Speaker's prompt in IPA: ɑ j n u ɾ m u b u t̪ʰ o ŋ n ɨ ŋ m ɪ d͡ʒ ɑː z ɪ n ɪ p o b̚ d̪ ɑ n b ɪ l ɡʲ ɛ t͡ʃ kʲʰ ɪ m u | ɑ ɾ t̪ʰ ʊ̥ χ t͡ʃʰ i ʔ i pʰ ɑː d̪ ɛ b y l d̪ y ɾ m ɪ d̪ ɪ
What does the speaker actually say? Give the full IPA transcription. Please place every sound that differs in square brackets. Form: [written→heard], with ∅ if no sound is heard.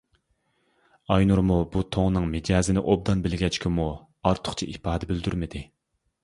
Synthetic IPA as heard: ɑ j n u ɾ m u b u t̪ʰ o ŋ n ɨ ŋ m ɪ d͡ʒ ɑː z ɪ n ɪ [p→ʔ] o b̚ d̪ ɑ n b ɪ l ɡʲ ɛ t͡ʃ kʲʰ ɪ m u | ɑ ɾ t̪ʰ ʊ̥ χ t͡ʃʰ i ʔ i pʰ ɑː d̪ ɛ b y l d̪ y ɾ m ɪ d̪ ɪ

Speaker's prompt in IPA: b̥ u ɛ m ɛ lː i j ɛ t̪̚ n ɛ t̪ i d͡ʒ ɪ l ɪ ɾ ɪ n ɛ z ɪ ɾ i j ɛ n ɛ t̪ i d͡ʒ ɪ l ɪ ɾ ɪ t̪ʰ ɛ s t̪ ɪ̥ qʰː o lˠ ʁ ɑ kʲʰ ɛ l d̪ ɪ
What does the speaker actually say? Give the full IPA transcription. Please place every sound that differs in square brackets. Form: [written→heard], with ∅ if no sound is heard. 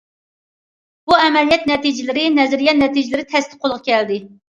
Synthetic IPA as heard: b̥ u ɛ m ɛ [lː→l] i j ɛ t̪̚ n ɛ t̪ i d͡ʒ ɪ l ɪ ɾ ɪ n ɛ z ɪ ɾ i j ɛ n ɛ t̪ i d͡ʒ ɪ l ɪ ɾ ɪ t̪ʰ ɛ s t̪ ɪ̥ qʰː o lˠ ʁ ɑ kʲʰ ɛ l d̪ ɪ

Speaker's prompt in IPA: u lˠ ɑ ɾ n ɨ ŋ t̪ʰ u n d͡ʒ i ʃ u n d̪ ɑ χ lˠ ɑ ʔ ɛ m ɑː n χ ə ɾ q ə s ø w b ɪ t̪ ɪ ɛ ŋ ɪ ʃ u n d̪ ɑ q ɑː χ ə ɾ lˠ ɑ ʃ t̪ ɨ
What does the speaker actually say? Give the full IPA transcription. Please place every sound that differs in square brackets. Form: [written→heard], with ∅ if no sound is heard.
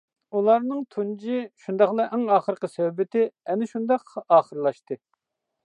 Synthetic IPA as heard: u lˠ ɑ ɾ n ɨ ŋ t̪ʰ u n d͡ʒ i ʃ u n d̪ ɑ χ lˠ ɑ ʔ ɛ [m→ŋ] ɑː [n→∅] χ ə ɾ q ə s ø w b ɪ t̪ ɪ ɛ [ŋ→n] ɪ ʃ u n d̪ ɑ q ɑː χ ə ɾ lˠ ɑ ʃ t̪ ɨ

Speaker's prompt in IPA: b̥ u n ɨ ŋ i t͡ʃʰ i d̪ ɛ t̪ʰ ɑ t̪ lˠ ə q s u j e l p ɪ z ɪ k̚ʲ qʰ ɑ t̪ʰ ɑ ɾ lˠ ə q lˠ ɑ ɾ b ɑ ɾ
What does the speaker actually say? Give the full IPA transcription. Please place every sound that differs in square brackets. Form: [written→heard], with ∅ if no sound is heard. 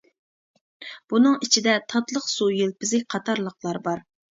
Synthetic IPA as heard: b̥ u n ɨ ŋ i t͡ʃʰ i d̪ ɛ t̪ʰ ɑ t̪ lˠ ə q s u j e l p ɪ z ɪ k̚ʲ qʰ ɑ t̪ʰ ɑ ɾ lˠ ə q lˠ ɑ ɾ b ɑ ɾ

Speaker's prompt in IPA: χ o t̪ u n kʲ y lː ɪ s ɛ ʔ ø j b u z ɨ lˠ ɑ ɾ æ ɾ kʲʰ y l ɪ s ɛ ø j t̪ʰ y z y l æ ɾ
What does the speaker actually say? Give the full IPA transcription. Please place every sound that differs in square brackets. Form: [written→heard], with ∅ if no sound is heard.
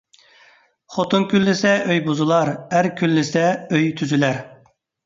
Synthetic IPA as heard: χ o t̪ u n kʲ y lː ɪ s ɛ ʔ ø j b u z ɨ lˠ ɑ ɾ æ ɾ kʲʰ y [l→lː] ɪ s ɛ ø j t̪ʰ y z y l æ ɾ

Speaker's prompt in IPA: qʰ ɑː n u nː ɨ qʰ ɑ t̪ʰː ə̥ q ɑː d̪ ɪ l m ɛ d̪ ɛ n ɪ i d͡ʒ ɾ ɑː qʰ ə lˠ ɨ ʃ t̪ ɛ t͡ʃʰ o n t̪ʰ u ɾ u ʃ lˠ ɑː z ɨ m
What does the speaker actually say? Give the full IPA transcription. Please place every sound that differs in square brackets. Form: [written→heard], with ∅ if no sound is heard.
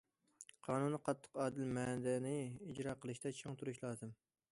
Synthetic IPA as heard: qʰ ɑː n u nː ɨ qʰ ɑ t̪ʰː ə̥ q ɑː d̪ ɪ l m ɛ d̪ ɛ n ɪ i d͡ʒ ɾ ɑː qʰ ə lˠ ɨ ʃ t̪ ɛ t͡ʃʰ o [n→ŋ] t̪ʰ u ɾ u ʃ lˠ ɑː z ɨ m

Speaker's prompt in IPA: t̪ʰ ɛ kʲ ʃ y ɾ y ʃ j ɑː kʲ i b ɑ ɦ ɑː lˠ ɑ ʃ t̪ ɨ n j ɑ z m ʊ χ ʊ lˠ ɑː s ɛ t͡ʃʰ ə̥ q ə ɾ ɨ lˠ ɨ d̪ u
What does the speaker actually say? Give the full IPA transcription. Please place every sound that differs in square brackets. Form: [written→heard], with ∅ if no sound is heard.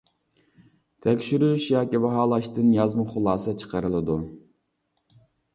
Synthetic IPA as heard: t̪ʰ ɛ kʲ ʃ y ɾ y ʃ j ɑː kʲ i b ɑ ɦ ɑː lˠ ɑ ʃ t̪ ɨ n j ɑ z m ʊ χ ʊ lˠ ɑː s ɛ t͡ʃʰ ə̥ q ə ɾ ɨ lˠ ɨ d̪ u

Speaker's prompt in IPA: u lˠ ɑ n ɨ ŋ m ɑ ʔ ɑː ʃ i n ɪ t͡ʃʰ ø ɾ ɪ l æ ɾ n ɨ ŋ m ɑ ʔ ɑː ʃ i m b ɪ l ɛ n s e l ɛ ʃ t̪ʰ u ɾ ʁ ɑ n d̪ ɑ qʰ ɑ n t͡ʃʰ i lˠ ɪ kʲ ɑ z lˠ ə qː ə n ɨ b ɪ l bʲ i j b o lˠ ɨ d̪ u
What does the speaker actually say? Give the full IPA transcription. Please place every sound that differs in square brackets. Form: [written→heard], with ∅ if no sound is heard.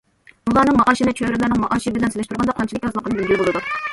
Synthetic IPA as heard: u lˠ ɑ n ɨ ŋ m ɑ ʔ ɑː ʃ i n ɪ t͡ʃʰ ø ɾ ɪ l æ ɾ n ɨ ŋ m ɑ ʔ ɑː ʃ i [m→∅] b ɪ l ɛ n s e l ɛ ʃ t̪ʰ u ɾ ʁ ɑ n d̪ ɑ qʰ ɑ n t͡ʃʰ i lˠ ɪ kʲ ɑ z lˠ ə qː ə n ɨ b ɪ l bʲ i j b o lˠ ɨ d̪ u

